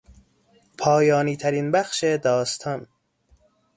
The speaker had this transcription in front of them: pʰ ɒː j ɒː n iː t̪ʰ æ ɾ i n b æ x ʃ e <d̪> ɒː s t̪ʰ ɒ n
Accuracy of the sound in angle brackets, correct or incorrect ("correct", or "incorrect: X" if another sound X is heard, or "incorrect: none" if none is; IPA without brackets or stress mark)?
correct